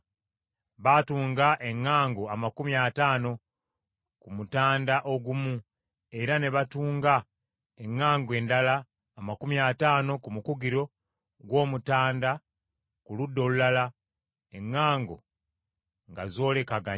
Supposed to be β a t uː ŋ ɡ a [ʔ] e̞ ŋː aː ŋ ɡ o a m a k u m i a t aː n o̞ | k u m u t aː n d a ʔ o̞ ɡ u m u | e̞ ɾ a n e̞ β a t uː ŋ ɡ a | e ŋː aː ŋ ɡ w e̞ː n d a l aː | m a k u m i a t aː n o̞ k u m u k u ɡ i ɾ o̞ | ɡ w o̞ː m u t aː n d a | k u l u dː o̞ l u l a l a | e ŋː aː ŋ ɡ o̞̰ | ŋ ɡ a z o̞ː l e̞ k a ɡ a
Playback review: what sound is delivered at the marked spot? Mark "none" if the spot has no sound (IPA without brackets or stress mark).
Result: ʔ